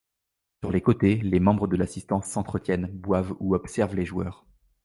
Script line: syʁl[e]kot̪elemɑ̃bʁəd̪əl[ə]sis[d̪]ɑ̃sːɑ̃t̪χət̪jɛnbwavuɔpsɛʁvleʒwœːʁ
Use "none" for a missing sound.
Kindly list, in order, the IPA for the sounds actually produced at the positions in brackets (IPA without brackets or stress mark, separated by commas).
e, a, t̪